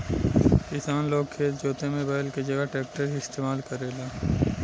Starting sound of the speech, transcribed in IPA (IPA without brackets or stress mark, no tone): k